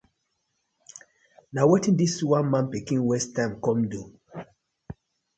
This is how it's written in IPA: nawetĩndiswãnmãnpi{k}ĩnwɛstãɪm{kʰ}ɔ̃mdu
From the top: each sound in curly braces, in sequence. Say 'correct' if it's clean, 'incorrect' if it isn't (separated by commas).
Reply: correct, incorrect